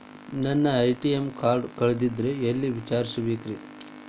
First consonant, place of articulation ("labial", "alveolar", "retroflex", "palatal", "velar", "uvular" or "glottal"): alveolar